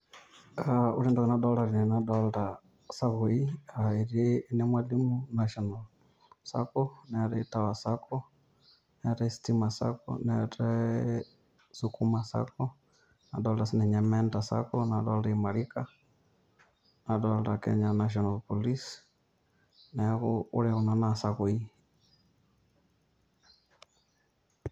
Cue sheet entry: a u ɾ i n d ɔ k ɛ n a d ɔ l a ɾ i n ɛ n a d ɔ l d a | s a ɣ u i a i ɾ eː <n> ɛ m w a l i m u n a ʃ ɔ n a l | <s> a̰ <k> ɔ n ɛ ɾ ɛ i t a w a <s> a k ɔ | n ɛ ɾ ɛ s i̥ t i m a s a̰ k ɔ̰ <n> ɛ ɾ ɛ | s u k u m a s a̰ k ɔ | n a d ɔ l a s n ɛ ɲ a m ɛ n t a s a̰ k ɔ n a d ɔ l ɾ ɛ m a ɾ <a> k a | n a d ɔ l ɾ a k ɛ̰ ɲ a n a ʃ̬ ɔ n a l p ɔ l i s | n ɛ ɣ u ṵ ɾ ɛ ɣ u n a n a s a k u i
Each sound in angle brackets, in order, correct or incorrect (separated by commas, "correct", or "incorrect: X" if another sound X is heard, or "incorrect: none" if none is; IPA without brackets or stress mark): correct, correct, correct, correct, correct, incorrect: i